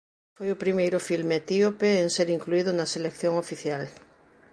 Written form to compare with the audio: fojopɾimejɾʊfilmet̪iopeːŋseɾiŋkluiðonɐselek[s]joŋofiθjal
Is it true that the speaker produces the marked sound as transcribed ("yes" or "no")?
no